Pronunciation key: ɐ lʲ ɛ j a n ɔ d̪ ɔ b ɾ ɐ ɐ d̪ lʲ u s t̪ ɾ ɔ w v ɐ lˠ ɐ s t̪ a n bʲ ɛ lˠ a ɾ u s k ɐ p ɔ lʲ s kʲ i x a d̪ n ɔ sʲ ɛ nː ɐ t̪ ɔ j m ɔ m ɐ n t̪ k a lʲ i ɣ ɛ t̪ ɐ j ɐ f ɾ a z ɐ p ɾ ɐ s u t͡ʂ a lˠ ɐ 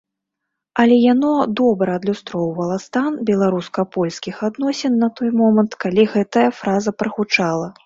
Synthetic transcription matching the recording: ɐ lʲ ɛ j a n ɔ d̪ ɔ b ɾ ɐ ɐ d̪ lʲ u s t̪ ɾ ɔ w v ɐ lˠ ɐ s t̪ a n bʲ ɛ lˠ a ɾ u s k ɐ p ɔ lʲ s kʲ i x a d̪ n ɔ sʲ ɛ nː ɐ t̪ ɔ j m ɔ m ɐ n t̪ k a lʲ i ɣ ɛ t̪ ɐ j ɐ f ɾ a z ɐ p ɾ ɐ x u t͡ʂ a lˠ ɐ